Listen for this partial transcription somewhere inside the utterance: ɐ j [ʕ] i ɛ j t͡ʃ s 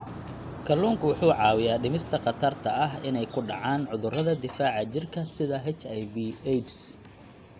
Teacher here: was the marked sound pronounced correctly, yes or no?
no